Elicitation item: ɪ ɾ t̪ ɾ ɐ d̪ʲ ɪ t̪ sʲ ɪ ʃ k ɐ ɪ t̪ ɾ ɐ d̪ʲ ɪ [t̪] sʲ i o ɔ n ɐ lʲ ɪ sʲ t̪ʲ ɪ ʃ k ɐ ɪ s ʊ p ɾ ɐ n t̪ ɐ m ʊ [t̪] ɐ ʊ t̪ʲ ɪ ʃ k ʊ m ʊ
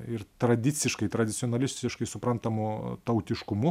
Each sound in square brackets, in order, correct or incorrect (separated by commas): correct, correct